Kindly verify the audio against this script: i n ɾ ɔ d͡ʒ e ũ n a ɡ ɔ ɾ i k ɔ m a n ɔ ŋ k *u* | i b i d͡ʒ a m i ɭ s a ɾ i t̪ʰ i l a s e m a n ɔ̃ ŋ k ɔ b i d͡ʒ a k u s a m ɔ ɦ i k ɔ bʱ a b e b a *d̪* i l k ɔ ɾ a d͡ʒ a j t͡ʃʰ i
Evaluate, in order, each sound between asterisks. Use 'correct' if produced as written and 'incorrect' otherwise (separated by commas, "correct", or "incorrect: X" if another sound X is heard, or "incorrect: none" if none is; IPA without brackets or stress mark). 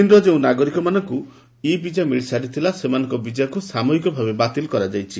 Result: correct, incorrect: t̪